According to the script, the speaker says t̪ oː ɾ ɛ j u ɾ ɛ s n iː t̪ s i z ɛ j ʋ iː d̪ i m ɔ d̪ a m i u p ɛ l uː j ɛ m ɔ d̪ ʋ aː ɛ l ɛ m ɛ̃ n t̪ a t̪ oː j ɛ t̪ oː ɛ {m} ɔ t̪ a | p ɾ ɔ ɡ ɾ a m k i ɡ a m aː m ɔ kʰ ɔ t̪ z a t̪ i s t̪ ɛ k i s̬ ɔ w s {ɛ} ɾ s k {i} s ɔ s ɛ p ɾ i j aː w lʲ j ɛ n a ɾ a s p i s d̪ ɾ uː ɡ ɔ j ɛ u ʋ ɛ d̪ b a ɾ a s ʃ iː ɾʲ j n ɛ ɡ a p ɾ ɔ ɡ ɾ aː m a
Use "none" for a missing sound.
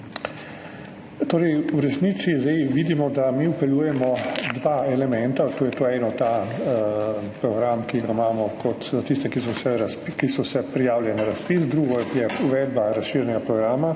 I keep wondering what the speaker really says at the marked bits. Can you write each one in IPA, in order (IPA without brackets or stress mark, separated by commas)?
n, ɛ, i